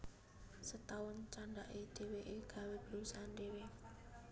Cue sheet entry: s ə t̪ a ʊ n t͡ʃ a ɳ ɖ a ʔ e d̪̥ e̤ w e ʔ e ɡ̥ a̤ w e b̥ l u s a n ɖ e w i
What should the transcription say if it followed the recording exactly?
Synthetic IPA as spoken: s ə t̪ a ʊ n t͡ʃ a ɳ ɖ a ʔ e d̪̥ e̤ w e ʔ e ɡ̥ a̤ w e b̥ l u s a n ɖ e w e